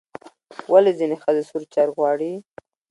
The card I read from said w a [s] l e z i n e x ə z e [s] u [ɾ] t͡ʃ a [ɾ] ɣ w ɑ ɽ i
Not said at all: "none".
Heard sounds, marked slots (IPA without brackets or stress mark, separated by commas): none, s, ɾ, ɾ